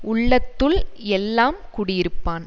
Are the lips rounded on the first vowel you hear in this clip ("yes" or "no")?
yes